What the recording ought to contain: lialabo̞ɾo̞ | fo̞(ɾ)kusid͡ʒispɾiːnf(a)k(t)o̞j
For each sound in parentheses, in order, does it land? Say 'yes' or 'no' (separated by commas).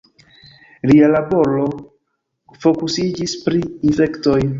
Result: no, no, yes